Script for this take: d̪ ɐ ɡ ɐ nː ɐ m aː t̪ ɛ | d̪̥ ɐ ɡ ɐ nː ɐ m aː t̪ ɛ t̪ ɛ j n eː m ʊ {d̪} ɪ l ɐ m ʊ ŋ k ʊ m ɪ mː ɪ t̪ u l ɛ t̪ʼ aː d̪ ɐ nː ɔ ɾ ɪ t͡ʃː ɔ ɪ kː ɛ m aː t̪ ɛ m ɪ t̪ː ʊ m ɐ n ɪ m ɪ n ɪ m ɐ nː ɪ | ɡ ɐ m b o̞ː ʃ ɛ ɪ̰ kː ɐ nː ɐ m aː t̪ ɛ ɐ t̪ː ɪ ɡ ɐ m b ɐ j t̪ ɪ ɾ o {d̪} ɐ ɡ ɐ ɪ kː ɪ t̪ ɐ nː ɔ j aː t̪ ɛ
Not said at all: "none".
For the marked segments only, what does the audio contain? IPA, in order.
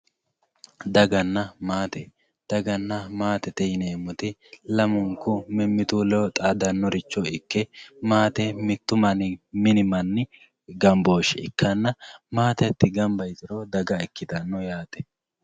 t̪, d̪

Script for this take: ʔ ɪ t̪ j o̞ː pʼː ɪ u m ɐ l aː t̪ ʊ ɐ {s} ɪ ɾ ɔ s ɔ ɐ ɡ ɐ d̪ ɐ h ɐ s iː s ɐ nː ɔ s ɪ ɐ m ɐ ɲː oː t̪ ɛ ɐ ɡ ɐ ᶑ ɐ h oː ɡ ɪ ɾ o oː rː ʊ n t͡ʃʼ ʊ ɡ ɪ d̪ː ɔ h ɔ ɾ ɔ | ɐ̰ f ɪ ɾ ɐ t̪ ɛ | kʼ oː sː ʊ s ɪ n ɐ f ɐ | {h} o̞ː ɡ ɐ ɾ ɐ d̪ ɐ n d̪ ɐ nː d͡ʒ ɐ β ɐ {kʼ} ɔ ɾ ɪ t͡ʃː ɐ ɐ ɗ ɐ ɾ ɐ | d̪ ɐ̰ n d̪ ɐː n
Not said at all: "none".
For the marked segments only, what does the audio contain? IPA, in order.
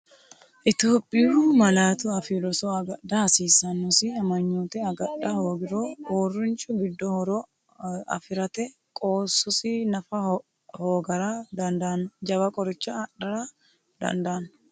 f, h, kʼ

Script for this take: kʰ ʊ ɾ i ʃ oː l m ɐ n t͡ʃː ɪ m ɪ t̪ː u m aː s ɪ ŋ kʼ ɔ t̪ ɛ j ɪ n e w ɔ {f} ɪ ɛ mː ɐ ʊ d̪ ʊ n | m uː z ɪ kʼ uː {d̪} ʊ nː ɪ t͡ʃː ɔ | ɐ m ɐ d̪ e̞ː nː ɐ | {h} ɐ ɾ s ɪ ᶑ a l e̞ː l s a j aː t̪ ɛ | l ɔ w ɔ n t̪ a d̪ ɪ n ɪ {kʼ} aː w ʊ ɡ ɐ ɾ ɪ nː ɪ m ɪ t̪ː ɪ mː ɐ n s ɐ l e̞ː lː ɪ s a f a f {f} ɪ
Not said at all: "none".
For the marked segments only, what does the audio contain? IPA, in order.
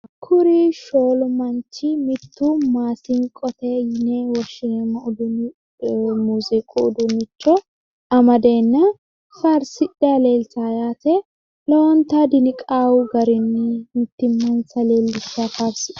ʃ, d̪, f, kʼ, s

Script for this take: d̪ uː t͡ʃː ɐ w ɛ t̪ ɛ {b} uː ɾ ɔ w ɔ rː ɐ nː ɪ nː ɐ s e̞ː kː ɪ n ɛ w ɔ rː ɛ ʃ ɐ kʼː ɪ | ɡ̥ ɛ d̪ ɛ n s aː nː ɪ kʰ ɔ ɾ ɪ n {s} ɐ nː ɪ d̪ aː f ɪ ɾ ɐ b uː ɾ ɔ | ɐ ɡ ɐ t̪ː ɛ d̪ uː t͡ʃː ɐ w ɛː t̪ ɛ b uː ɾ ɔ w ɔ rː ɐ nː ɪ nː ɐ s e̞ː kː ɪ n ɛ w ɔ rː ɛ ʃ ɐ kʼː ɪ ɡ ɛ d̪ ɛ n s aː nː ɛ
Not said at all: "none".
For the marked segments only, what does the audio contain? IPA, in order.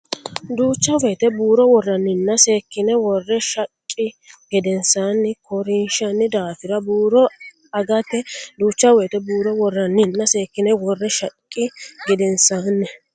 b, ʃ

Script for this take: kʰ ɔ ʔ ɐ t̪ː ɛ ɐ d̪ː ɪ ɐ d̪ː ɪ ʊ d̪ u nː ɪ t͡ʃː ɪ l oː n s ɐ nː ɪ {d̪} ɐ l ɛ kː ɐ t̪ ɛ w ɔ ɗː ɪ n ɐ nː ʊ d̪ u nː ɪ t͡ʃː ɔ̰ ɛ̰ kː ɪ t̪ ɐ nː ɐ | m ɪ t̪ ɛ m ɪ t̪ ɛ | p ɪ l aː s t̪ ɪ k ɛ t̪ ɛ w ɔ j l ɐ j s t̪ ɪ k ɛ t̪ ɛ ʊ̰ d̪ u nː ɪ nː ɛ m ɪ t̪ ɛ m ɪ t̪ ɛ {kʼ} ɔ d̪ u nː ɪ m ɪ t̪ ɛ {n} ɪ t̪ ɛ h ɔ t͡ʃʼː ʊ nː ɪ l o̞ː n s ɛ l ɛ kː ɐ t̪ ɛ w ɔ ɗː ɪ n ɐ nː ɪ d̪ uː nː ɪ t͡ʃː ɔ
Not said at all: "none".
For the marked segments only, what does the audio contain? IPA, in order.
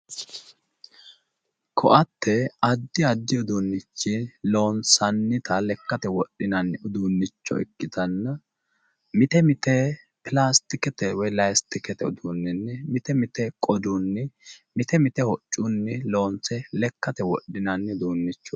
t̪, kʼ, m

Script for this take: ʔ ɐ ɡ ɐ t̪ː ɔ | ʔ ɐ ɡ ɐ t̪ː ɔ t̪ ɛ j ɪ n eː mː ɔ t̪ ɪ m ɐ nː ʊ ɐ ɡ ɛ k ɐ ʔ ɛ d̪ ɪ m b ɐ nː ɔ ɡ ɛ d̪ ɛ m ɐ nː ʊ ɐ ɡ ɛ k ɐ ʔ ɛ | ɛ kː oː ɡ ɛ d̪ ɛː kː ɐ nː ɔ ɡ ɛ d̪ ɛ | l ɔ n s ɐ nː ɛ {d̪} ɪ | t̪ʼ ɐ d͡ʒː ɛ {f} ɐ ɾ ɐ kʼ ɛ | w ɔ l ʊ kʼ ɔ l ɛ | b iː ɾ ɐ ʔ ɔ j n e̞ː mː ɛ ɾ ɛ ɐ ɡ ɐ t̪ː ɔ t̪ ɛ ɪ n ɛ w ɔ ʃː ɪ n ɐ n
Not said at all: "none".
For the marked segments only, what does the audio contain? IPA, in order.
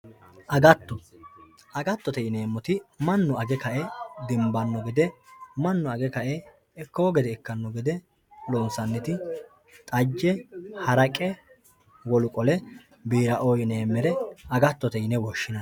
t̪, h

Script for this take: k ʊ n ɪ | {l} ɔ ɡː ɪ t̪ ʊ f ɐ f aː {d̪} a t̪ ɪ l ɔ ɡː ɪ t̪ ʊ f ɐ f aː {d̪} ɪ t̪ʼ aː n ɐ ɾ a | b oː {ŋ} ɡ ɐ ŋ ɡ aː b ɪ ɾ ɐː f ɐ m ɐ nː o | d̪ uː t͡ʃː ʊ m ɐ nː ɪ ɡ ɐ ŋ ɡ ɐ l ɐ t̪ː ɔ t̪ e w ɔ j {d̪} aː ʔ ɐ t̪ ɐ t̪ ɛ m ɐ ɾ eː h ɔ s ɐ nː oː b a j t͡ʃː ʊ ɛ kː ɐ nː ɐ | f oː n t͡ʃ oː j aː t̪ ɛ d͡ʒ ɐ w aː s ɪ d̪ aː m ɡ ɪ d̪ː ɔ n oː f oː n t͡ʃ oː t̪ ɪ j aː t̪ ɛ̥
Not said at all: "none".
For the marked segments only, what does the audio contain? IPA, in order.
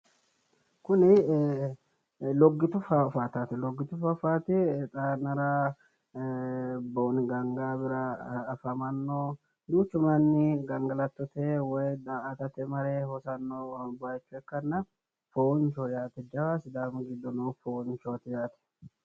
l, t̪, t̪, n, d̪

